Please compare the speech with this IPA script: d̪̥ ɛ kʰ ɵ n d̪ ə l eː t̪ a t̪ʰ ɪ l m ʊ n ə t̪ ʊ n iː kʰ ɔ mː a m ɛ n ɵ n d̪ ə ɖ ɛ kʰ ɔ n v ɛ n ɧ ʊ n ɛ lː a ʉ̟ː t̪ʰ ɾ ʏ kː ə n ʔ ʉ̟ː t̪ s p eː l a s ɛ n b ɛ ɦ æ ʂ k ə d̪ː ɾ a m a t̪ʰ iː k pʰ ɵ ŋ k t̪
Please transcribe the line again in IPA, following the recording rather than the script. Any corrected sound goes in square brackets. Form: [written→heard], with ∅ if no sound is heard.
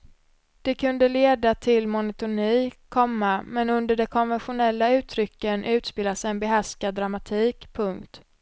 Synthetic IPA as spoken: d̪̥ ɛ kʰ ɵ n d̪ ə l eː [t̪→d̪] a t̪ʰ ɪ l m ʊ n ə t̪ ʊ n iː kʰ ɔ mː a m ɛ n ɵ n d̪ ə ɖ ɛ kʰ ɔ n v ɛ n ɧ ʊ n ɛ lː a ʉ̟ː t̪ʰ ɾ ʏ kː ə n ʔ ʉ̟ː t̪ s p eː l a s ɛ n b ɛ ɦ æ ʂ k [ə→a] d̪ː ɾ a m a t̪ʰ iː k pʰ ɵ ŋ k t̪